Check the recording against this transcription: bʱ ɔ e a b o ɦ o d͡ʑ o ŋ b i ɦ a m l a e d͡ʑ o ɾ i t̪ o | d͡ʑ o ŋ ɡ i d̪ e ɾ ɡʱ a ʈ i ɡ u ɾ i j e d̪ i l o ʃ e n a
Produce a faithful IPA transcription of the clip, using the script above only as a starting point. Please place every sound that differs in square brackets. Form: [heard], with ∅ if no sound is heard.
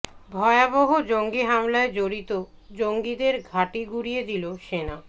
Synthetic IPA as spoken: bʱ ɔ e a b o ɦ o d͡ʑ o ŋ [ɡ] i ɦ a m l a e d͡ʑ o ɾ i t̪ o | d͡ʑ o ŋ ɡ i d̪ e ɾ ɡʱ a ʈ i ɡ u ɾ i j e d̪ i l o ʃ e n a